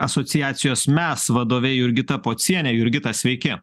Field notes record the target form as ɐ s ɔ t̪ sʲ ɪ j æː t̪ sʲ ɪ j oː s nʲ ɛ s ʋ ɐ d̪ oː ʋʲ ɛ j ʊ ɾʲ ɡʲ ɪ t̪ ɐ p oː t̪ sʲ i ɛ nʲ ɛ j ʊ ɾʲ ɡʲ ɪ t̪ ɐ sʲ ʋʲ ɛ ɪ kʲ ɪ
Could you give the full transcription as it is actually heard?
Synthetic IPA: ɐ s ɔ t̪ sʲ ɪ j æː t̪ sʲ ɪ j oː s mʲ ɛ s ʋ ɐ d̪ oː ʋʲ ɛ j ʊ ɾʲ ɡʲ ɪ t̪ ɐ p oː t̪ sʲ i ɛ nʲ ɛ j ʊ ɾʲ ɡʲ ɪ t̪ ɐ sʲ ʋʲ ɛ ɪ kʲ ɪ